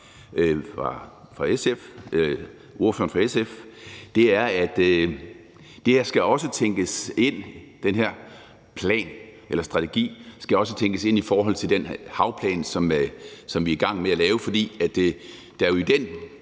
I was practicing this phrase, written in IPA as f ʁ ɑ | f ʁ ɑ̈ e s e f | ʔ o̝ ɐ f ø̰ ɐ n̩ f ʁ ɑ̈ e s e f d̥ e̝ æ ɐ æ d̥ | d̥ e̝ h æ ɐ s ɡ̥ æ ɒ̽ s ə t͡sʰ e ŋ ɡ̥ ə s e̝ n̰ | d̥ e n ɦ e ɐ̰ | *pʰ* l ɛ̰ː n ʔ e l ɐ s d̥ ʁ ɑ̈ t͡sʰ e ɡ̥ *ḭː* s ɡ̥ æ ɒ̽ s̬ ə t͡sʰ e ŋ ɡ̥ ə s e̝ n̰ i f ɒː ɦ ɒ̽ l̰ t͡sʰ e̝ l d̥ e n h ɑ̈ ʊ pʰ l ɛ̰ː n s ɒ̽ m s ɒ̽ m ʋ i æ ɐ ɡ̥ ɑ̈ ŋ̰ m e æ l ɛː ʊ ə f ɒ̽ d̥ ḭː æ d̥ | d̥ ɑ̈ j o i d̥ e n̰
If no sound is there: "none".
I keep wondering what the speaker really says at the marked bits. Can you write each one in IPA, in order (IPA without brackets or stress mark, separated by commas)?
pʰ, ḭː